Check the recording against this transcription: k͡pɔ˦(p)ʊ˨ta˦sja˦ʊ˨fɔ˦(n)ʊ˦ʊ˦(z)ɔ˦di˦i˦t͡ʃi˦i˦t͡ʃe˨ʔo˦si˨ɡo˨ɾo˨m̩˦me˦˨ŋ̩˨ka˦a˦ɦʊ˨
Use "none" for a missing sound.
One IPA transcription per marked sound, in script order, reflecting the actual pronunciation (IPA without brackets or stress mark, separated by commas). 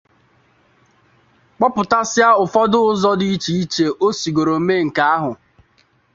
p, d, z